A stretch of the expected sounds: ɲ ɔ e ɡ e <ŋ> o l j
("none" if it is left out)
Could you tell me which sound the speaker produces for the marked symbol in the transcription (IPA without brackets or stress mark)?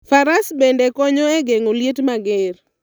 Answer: ŋ